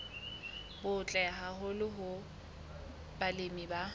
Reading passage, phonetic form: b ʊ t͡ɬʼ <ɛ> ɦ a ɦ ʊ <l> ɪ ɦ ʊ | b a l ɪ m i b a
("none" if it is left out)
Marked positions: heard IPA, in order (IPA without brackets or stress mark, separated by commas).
ɛ, l